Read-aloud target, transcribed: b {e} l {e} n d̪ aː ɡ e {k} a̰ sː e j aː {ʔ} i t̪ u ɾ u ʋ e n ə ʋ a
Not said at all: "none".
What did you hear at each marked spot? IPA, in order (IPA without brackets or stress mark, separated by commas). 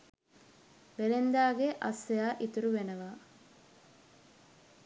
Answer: e, e, ʔ, ʔ